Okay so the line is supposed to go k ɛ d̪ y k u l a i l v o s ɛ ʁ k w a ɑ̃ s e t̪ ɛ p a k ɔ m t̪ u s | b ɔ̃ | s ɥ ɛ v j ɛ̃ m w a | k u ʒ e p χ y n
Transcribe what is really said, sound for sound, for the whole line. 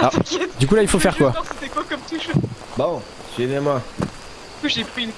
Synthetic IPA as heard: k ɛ d̪ y k u l a i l f o f ɛ ʁ k w a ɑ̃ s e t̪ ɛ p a k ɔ m t̪ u ʃ | b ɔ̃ | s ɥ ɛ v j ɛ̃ m w a | k u ʒ e p χ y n